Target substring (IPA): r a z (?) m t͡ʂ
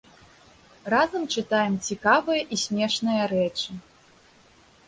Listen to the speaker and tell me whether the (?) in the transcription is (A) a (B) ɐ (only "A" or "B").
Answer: B